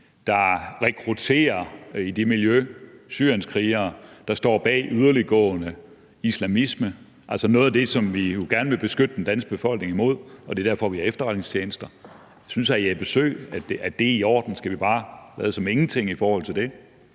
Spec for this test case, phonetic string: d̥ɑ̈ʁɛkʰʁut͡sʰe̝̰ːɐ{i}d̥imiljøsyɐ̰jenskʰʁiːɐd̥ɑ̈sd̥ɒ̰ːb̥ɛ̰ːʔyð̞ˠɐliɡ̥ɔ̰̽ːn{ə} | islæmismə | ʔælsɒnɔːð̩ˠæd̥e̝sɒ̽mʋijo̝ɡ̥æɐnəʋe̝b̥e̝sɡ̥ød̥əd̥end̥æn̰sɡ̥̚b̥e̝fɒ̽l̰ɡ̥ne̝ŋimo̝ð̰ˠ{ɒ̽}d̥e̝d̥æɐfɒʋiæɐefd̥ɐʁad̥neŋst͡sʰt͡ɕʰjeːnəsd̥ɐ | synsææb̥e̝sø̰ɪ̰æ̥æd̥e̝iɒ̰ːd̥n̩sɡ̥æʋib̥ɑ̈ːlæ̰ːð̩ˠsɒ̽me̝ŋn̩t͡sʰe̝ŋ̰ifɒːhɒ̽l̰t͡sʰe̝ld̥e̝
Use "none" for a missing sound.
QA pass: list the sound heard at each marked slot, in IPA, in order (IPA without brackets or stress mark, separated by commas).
i, ə, ɒ̽